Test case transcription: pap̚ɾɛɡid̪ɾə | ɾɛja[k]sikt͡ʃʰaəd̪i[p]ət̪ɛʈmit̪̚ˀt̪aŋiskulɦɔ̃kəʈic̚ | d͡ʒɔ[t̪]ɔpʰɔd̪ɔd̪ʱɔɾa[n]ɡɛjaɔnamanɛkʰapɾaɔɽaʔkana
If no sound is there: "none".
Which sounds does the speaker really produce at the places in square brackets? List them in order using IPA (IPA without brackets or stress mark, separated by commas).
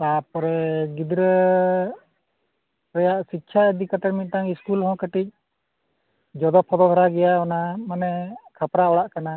ʔ, k, d̪, none